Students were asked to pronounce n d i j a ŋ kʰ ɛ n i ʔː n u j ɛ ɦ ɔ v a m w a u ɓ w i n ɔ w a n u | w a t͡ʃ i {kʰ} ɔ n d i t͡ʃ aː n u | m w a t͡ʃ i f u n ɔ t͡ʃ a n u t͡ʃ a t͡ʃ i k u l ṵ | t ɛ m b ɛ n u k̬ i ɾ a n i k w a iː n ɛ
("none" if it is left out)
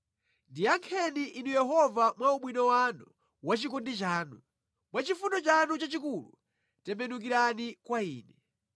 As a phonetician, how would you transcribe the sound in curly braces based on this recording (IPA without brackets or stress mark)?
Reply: k